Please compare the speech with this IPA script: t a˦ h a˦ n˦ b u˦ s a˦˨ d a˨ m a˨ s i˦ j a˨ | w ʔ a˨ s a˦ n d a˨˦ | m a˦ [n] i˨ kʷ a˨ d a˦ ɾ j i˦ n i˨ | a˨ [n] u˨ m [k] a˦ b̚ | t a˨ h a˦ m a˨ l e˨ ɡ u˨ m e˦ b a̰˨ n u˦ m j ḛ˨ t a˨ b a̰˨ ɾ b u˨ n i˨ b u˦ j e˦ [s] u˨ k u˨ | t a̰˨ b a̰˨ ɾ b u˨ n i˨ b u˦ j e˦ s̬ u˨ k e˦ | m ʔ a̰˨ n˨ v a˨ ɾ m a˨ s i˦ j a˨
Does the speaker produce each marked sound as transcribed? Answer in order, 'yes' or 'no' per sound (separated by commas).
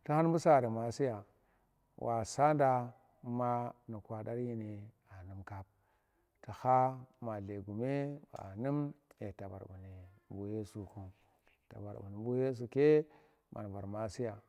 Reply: yes, yes, yes, yes